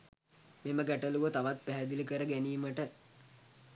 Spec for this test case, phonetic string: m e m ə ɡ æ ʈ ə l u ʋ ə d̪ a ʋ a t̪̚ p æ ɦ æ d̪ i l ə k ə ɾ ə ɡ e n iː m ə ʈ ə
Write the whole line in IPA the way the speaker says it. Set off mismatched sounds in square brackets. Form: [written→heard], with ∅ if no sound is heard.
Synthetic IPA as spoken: m e m ə ɡ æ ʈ ə l u ʋ ə [d̪→t̪] a ʋ a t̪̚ p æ ɦ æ d̪ i l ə k ə ɾ ə ɡ [e→æ] n iː m ə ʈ ə